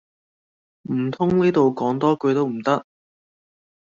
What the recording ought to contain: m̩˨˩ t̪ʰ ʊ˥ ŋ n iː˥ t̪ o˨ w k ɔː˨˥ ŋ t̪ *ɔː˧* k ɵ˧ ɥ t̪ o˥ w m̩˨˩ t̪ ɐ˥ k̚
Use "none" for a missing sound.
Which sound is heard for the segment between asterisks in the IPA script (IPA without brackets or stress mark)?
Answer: ɔː˥